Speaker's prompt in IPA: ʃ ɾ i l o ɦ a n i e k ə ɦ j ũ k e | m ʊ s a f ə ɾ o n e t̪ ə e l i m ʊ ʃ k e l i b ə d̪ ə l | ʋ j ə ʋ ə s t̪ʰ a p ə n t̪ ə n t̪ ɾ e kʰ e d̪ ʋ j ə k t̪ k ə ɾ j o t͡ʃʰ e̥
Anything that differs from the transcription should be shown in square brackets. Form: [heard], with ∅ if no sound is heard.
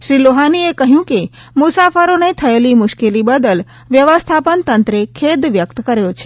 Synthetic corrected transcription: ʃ ɾ i l o ɦ a n i e k ə ɦ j ũ k e | m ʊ s a f ə ɾ o n e [t̪ʰ] ə e l i m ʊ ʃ k e l i b ə d̪ ə l | ʋ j ə ʋ ə s t̪ʰ a p ə n t̪ ə n t̪ ɾ e kʰ e d̪ ʋ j ə k t̪ k ə ɾ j o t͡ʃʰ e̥